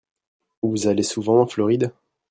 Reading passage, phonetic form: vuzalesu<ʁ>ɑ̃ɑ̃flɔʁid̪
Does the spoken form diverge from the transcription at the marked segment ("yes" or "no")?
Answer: yes